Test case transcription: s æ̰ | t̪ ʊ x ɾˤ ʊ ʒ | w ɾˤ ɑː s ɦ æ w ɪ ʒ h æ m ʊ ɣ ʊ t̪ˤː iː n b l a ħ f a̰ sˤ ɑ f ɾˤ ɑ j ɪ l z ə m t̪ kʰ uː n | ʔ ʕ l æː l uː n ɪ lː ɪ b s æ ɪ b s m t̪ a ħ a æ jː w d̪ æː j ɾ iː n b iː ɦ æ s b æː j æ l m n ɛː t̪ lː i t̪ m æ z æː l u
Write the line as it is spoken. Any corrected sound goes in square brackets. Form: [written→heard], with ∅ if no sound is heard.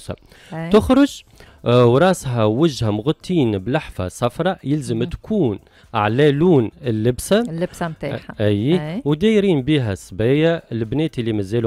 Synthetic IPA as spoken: s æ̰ | t̪ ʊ x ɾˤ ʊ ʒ | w ɾˤ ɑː s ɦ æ w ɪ ʒ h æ m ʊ ɣ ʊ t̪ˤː iː n b l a ħ f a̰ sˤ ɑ f ɾˤ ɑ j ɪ l z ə m t̪ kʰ uː n | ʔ ʕ l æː l uː n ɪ lː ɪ b s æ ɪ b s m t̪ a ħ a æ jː w d̪ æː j ɾ iː n b iː ɦ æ s b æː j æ l [m→b] n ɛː t̪ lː i [t̪→∅] m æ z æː l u